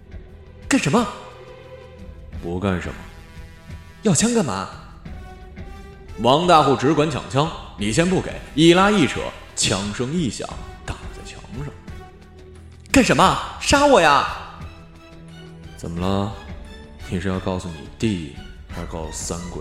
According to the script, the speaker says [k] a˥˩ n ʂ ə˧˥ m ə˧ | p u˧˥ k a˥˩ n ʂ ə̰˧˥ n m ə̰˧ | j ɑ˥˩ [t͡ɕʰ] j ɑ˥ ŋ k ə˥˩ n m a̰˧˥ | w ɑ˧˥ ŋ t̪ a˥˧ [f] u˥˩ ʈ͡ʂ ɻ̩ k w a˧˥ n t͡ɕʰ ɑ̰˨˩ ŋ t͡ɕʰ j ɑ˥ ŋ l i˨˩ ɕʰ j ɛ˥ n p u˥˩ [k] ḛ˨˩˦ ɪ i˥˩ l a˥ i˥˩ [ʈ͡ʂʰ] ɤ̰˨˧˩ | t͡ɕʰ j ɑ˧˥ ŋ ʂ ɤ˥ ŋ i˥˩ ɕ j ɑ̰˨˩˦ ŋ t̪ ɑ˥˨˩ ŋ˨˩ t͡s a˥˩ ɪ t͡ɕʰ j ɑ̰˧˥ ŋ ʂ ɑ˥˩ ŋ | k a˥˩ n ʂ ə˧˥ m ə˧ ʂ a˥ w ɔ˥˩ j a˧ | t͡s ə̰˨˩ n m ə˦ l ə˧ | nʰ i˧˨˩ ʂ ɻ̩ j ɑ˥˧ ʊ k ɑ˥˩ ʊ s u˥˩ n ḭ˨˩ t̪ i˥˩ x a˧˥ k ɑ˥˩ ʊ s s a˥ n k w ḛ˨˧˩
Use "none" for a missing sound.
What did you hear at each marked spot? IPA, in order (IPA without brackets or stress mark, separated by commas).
k, t͡ɕʰ, x, k, ʈ͡ʂʰ